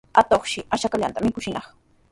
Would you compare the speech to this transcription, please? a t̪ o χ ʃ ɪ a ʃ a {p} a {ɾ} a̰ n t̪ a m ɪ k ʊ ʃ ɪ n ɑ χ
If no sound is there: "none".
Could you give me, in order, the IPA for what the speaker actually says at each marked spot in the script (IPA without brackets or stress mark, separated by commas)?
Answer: k, ʎ